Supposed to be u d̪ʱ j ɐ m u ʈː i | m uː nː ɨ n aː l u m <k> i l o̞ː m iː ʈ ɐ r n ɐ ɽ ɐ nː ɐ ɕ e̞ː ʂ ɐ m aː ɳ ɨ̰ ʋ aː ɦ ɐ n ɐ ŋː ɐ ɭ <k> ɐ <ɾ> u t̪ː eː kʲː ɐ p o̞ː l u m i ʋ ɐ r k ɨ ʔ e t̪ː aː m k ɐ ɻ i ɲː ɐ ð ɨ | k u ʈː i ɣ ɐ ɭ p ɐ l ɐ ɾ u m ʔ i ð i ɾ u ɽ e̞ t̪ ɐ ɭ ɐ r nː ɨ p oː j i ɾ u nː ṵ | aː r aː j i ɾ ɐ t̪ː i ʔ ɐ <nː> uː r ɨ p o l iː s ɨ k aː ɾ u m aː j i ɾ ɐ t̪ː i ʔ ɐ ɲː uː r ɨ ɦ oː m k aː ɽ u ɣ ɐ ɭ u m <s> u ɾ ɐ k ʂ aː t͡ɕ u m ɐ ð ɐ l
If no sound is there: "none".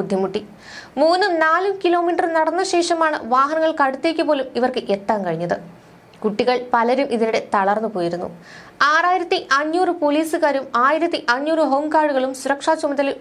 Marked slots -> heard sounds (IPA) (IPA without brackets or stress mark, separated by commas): k, k, ɽ, ɲː, s